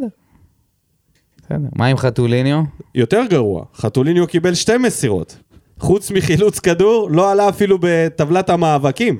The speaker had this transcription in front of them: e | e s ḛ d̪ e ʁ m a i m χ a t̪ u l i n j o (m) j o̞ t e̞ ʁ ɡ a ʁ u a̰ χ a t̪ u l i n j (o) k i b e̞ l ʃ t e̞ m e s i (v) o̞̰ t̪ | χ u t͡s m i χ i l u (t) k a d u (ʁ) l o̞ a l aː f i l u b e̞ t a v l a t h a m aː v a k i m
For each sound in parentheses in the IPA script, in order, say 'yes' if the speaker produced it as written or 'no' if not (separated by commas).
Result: no, yes, no, no, yes